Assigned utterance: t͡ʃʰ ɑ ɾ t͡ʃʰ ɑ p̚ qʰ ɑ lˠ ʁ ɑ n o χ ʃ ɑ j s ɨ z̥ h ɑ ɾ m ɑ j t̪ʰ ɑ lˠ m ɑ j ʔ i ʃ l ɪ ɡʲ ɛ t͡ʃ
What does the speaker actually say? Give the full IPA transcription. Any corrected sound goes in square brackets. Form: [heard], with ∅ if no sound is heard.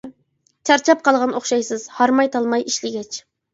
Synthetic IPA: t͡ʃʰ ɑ ɾ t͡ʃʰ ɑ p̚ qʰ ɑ lˠ ʁ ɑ n o χ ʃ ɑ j s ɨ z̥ h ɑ ɾ m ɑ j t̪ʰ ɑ lˠ m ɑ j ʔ i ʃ l ɪ ɡʲ ɛ t͡ʃ